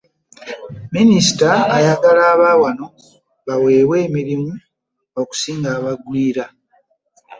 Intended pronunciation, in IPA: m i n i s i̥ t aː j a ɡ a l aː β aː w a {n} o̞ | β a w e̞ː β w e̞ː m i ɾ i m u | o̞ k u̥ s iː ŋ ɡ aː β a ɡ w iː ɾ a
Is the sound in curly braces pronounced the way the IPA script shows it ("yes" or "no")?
yes